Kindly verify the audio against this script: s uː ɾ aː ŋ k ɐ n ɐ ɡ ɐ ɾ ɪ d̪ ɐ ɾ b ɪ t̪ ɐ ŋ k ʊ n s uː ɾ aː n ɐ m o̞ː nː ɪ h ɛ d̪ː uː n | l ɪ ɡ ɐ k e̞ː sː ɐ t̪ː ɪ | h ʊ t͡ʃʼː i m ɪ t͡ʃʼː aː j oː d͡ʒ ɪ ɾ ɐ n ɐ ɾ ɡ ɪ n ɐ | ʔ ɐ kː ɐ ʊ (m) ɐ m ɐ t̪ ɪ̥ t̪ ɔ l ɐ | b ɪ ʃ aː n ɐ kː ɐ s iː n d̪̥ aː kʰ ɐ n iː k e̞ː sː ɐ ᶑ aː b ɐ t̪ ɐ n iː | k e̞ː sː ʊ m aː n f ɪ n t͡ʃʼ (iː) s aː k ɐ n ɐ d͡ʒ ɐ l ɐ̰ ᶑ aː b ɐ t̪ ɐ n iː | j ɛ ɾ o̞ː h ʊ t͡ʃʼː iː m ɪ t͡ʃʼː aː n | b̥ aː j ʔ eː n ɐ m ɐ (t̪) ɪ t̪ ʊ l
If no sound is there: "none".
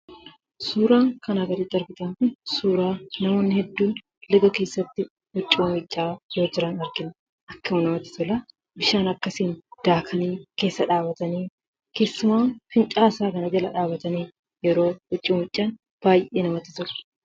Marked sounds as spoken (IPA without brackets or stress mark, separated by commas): n, aː, t̪